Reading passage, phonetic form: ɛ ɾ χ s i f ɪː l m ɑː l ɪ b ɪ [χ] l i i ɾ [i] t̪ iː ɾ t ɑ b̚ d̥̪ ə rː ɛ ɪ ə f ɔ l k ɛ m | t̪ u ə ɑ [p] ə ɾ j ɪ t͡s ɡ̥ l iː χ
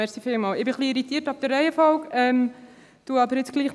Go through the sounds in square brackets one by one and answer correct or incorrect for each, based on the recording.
correct, correct, incorrect

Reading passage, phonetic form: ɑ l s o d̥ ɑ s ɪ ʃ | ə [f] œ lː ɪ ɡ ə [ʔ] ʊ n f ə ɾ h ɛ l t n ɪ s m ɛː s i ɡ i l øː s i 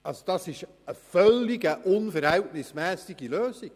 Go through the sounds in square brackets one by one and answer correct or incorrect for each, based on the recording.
correct, correct

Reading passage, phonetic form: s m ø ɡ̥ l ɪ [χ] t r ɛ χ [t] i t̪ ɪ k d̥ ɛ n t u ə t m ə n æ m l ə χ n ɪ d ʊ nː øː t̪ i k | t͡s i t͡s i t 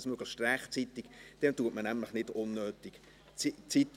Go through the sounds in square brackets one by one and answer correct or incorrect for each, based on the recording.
incorrect, incorrect

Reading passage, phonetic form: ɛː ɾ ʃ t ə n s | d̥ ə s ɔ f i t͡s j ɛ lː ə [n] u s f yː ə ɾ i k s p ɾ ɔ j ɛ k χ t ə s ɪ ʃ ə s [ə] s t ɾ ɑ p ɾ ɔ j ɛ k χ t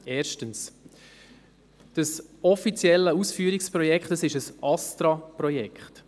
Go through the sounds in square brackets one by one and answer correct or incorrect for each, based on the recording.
incorrect, incorrect

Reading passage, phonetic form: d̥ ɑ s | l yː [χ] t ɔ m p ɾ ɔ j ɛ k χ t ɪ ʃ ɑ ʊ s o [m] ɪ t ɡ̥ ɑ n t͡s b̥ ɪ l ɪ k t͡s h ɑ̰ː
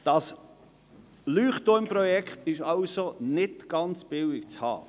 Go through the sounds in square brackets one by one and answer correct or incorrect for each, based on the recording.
correct, incorrect

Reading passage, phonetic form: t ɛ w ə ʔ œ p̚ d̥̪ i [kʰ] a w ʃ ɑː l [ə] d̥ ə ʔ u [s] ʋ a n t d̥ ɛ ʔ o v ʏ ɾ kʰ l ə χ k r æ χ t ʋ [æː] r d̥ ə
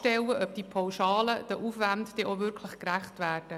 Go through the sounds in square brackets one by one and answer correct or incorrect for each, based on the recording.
incorrect, correct, incorrect, correct

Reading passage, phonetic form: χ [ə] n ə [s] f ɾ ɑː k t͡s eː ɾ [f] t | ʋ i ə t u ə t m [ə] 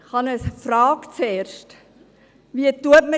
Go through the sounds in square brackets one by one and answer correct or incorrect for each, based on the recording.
incorrect, correct, incorrect, correct

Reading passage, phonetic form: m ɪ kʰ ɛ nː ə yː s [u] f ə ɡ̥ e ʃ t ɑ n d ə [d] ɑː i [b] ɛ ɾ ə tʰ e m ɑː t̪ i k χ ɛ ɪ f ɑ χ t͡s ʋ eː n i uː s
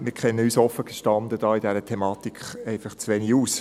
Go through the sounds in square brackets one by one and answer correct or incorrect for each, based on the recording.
incorrect, correct, incorrect

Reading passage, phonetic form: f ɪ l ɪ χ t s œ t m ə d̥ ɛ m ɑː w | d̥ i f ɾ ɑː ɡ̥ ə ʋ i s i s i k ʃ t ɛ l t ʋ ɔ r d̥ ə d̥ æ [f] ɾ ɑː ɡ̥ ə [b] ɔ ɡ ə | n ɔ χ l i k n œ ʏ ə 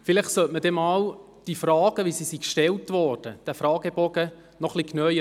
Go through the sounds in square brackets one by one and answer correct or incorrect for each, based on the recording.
correct, correct

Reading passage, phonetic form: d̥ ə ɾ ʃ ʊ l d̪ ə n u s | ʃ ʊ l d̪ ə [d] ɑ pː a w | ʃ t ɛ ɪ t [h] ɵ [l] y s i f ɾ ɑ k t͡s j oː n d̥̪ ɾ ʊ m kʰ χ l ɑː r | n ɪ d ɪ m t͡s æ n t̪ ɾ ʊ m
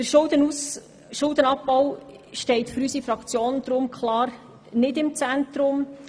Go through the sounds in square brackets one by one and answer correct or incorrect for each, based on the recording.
incorrect, incorrect, incorrect

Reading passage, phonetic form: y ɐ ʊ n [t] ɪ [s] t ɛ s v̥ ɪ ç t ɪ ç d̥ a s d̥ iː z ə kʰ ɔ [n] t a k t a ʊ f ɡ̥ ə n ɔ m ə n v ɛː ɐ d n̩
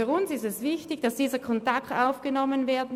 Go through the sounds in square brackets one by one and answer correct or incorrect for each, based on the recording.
incorrect, correct, correct

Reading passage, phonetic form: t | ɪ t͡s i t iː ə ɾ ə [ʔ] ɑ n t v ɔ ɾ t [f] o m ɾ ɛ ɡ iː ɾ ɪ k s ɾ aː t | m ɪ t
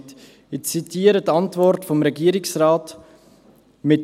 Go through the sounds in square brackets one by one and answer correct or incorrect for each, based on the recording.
incorrect, correct

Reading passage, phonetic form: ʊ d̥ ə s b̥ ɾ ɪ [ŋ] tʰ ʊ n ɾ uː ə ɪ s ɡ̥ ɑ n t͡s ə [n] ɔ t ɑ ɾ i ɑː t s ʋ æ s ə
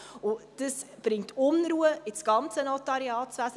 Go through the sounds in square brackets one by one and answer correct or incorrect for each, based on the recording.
correct, correct

